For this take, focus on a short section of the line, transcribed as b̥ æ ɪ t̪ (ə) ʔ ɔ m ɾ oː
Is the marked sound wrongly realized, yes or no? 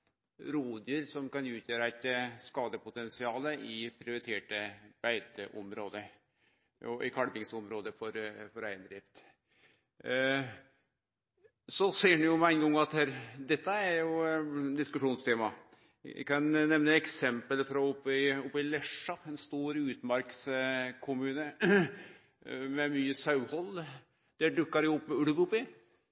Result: no